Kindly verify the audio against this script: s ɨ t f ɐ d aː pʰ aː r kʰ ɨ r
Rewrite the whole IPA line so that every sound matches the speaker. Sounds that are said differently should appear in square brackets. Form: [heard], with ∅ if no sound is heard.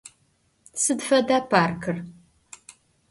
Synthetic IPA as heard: s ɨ [d] f ɐ d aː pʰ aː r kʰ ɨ r